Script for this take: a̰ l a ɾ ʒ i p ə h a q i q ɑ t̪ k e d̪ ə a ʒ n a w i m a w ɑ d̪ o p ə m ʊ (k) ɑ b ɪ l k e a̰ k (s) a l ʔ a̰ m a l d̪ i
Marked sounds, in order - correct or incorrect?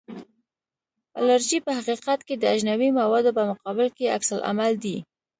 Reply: incorrect: q, correct

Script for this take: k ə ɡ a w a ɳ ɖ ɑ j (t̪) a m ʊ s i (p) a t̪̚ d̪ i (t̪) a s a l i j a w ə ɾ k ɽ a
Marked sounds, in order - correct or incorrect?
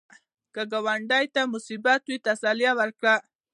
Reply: correct, incorrect: b, correct

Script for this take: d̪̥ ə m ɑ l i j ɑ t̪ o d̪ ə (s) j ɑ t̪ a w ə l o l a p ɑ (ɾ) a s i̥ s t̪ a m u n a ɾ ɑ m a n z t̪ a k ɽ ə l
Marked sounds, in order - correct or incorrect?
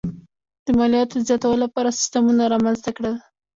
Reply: incorrect: z, correct

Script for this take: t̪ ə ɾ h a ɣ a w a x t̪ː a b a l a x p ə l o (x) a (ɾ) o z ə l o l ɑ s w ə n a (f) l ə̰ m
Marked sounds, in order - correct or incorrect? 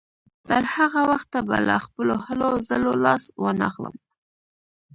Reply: incorrect: h, incorrect: l, incorrect: x

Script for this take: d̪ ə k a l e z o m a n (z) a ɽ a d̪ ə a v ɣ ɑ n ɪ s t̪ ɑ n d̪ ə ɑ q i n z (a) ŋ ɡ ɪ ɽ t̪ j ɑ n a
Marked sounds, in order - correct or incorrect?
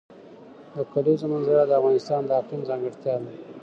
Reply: correct, incorrect: ɑ

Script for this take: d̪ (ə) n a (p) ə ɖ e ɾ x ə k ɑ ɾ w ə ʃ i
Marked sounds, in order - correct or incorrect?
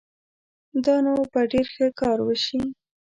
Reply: incorrect: ɑ, correct

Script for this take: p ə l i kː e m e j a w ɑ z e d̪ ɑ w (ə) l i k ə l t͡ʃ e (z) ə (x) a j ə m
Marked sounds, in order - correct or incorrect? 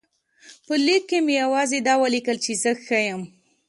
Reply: correct, correct, correct

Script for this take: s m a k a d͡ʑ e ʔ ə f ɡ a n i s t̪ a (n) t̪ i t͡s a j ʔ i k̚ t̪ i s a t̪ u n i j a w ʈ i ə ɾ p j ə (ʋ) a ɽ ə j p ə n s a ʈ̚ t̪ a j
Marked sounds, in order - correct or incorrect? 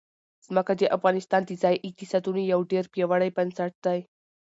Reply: correct, correct

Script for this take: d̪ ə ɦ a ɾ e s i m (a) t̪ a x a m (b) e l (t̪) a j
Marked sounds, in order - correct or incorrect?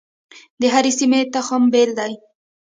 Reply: incorrect: e, correct, incorrect: d̪

